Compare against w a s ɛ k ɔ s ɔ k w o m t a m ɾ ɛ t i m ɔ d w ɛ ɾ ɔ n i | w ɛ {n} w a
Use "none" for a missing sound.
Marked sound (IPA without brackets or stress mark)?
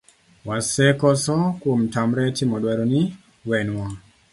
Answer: n